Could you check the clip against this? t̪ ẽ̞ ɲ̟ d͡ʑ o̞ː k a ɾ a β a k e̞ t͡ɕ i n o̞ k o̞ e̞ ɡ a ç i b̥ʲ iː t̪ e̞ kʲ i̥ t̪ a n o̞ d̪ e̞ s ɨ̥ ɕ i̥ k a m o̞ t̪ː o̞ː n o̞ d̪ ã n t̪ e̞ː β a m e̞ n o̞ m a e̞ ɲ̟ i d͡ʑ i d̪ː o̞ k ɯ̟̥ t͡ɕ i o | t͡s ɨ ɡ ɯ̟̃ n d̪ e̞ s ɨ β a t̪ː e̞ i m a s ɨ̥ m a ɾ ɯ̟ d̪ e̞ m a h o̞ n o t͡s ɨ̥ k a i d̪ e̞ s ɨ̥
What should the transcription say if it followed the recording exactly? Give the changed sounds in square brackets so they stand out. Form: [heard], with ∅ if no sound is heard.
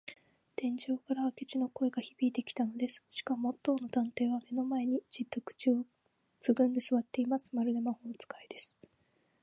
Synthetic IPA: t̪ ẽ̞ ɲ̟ d͡ʑ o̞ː k a ɾ a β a k e̞ t͡ɕ i n o̞ k o̞ e̞ ɡ a ç i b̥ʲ iː t̪ e̞ kʲ i̥ t̪ a n o̞ d̪ e̞ s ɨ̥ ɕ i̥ k a m o̞ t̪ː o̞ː n o̞ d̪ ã n t̪ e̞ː β a m e̞ n o̞ m a e̞ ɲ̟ i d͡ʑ i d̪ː o̞ k ɯ̟̥ t͡ɕ i o | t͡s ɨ ɡ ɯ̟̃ n d̪ e̞ s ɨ β a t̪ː e̞ i m a s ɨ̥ m a ɾ ɯ̟ d̪ e̞ m a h o̞ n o t͡s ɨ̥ k a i d̪ e̞ s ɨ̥